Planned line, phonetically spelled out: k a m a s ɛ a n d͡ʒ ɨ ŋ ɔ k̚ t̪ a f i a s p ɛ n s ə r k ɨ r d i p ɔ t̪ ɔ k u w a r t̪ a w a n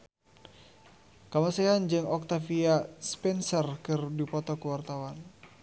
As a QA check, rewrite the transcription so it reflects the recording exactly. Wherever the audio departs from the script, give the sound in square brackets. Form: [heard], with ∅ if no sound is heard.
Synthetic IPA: k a m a s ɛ a n d͡ʒ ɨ ŋ ɔ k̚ t̪ a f i a s p ɛ n s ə r k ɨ r d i p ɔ t̪ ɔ k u w a r t̪ a w a n